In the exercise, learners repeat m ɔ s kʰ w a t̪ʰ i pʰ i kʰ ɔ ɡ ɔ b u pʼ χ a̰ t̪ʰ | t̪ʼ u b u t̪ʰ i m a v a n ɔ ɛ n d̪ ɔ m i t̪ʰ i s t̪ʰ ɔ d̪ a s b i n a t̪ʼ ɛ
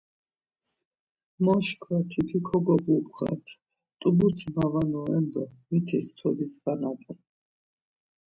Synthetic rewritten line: m ɔ ʃ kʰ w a t̪ʰ i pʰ i kʰ ɔ ɡ ɔ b u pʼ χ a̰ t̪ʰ | t̪ʼ u b u t̪ʰ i m a v a n ɔ ɛ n d̪ ɔ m i t̪ʰ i s t̪ʰ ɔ d̪ i s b a n a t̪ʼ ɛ